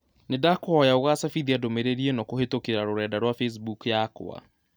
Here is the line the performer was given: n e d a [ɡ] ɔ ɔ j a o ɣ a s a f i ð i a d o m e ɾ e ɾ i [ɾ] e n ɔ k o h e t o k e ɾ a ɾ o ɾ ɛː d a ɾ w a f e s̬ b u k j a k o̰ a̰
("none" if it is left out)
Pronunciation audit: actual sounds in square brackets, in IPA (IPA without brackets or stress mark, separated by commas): k, none